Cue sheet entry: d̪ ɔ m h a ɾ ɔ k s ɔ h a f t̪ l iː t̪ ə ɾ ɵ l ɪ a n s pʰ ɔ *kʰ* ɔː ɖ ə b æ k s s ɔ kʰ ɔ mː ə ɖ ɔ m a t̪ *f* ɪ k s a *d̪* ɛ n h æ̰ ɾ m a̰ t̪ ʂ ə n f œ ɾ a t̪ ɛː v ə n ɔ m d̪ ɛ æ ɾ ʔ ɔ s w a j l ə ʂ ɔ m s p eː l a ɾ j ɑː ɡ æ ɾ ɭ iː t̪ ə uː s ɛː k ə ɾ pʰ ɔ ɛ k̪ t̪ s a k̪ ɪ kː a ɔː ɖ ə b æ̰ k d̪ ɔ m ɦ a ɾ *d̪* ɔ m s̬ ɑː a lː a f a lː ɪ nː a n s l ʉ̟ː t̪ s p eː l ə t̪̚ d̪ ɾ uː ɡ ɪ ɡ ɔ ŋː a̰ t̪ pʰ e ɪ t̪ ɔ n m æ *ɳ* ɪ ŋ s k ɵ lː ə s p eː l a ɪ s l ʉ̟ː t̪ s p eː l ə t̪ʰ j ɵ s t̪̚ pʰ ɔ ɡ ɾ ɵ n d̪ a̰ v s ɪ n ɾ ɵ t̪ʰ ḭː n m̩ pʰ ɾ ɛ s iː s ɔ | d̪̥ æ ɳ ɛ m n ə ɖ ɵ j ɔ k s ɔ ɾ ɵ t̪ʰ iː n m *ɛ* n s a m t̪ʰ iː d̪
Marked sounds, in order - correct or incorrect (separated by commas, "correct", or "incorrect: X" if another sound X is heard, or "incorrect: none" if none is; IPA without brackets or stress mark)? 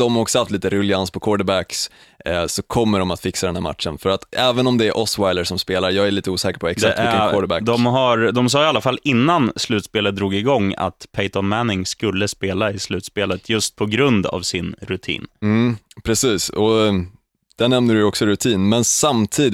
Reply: correct, correct, correct, correct, incorrect: n, correct